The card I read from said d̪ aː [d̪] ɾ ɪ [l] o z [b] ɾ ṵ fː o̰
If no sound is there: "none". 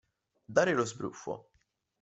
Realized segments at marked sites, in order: none, l, b

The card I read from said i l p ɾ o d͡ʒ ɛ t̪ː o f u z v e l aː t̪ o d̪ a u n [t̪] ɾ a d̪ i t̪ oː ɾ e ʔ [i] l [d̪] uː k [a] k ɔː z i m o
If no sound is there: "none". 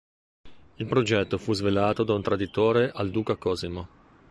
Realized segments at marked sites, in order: t̪, a, d̪, a

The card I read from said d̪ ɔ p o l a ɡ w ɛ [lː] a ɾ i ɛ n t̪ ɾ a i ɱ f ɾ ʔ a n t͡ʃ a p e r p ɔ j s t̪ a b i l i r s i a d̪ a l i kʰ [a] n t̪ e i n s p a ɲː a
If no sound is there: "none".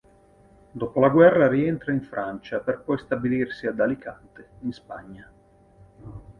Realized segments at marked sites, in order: rː, a

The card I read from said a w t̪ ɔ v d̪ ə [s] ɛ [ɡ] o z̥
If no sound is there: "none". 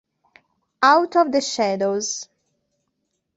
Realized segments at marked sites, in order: ʃ, d

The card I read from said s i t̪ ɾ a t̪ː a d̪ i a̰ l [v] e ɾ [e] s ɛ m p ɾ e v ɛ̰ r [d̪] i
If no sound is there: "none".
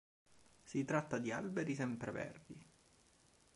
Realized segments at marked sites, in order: b, i, d̪

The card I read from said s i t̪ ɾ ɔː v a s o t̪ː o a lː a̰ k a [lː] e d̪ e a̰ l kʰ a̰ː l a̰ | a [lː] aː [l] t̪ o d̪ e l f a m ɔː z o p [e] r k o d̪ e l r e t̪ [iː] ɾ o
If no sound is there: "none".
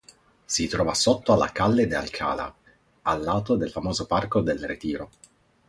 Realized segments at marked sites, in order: lː, lː, none, a, iː

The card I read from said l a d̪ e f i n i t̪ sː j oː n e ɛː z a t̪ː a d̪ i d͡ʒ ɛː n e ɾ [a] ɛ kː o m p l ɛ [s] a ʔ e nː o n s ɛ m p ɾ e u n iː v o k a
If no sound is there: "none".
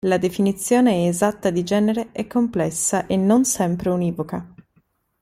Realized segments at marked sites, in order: e, sː

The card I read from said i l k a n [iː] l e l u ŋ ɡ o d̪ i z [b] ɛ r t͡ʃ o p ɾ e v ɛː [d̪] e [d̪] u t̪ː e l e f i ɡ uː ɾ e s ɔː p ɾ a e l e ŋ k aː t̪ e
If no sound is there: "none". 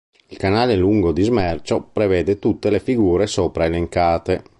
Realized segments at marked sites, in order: aː, m, d̪, t̪

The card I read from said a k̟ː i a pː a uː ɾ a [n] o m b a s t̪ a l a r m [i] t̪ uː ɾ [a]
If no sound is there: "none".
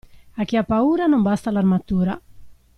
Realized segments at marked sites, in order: n, a, a

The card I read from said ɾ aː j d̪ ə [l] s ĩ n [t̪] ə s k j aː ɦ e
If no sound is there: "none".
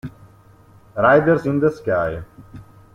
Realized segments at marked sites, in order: ɾ, d̪

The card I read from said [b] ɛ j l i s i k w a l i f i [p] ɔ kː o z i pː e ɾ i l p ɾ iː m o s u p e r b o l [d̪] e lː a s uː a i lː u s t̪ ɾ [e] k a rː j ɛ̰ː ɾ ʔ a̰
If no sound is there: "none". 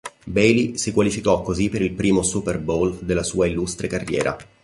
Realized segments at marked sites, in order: b, k, d̪, e

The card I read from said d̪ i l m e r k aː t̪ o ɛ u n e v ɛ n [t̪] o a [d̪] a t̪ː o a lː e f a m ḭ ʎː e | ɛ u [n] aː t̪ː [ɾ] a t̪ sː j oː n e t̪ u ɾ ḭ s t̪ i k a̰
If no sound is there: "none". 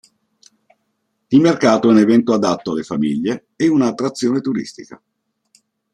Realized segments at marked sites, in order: t̪, d̪, n, ɾ

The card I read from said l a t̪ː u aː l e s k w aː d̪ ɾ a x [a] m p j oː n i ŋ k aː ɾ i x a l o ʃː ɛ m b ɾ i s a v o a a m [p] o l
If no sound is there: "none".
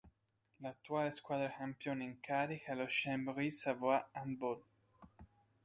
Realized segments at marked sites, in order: a, b

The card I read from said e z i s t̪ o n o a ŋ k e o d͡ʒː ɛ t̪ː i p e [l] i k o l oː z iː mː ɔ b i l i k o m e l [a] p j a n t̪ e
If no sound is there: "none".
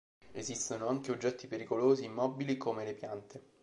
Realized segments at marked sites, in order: ɾ, e

